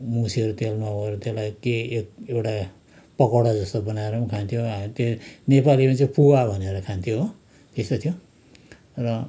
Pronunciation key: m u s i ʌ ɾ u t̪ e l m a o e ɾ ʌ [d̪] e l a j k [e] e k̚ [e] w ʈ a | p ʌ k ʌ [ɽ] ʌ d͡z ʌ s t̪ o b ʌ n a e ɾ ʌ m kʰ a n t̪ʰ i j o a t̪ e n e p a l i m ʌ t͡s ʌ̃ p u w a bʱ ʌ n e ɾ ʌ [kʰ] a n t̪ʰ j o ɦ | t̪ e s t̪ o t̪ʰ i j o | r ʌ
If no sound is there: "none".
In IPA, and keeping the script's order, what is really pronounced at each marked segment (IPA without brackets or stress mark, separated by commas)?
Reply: t̪, e, e, ɽ, kʰ